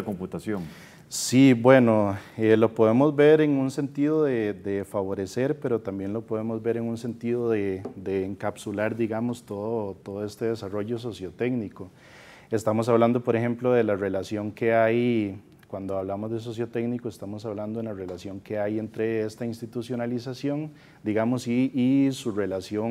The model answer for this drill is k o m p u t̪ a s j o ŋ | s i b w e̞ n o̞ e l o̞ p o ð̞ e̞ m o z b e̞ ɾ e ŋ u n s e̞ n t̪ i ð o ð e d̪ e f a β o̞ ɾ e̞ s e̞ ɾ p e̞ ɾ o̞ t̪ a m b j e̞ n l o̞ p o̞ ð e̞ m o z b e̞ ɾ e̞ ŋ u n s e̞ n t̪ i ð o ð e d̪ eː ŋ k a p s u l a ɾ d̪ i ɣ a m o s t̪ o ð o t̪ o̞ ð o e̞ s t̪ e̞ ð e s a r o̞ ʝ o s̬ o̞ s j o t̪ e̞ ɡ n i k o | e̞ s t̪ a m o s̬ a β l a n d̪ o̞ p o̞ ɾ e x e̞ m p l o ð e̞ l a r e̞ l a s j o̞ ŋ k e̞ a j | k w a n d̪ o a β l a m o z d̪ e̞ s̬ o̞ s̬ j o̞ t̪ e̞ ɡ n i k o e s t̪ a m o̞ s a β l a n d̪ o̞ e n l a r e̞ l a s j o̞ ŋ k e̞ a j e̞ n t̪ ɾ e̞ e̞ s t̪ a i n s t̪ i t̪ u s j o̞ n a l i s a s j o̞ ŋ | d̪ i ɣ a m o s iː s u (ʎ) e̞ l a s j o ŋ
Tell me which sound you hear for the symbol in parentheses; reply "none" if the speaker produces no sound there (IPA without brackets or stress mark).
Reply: r